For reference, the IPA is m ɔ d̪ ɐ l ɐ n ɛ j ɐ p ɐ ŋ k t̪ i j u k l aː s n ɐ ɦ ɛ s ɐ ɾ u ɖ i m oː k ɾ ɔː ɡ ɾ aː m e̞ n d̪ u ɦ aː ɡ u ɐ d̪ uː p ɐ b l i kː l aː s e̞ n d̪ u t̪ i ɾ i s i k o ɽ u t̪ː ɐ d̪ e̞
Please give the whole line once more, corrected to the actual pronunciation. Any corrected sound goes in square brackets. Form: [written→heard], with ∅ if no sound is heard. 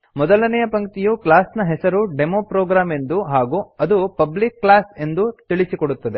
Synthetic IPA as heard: m ɔ d̪ ɐ l ɐ n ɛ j ɐ p ɐ ŋ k t̪ i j u k l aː s n ɐ ɦ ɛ s ɐ ɾ u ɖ [i→e] m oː [k→p] ɾ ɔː ɡ ɾ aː m e̞ n d̪ u ɦ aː ɡ u ɐ d̪ [uː→u] p ɐ b l i kː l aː s e̞ n d̪ u t̪ i [ɾ→ɭ] i s i k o ɽ u t̪ː ɐ d̪ e̞

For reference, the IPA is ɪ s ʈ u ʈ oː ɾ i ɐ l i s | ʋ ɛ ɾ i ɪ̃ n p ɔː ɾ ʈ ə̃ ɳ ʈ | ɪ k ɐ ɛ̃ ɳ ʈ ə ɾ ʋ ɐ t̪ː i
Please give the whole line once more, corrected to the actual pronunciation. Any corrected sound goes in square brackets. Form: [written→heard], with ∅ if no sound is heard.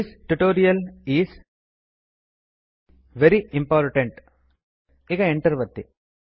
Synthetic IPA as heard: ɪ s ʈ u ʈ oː ɾ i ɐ l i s | ʋ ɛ ɾ i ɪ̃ [n→m] p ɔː ɾ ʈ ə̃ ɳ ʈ | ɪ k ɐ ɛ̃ ɳ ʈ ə ɾ ʋ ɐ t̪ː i

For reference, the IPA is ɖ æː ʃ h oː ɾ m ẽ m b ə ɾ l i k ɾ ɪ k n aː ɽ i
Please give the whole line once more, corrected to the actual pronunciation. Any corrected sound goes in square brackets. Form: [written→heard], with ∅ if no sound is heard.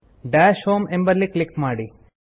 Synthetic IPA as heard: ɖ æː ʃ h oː [ɾ→∅] m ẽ m b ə ɾ l i k [ɾ→l] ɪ k [n→m] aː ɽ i

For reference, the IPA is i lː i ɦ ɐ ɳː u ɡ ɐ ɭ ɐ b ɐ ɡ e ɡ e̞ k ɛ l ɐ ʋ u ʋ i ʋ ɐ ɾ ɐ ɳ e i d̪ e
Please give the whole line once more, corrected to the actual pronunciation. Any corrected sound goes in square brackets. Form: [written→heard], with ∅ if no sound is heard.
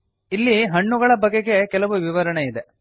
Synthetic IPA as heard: i lː i ɦ ɐ ɳː u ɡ ɐ ɭ ɐ b ɐ ɡ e ɡ e̞ k ɛ l ɐ ʋ u ʋ i ʋ ɐ ɾ ɐ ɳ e i d̪ e

